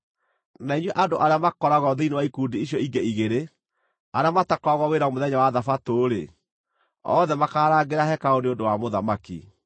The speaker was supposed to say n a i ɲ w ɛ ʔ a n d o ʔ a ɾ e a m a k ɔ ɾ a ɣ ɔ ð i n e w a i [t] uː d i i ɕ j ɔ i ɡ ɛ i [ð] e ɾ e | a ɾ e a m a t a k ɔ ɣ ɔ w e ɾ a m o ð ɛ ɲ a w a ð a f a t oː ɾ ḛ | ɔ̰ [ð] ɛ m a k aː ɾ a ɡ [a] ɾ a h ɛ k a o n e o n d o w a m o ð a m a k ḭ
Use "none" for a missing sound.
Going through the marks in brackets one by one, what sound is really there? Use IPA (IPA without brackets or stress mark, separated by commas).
k, ɣ, ð, e